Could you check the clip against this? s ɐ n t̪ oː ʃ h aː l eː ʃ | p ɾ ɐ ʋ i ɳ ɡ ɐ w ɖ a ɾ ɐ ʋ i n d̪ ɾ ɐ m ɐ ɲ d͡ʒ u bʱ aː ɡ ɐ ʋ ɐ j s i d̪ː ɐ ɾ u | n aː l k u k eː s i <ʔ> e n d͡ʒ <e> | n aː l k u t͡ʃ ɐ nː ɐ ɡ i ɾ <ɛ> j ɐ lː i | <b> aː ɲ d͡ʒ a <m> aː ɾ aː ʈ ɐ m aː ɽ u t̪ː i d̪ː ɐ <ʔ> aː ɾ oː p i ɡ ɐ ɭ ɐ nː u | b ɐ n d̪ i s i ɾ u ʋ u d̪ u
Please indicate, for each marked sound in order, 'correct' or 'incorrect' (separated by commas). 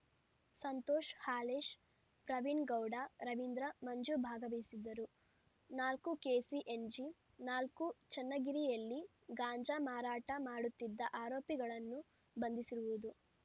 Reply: correct, incorrect, incorrect, incorrect, correct, correct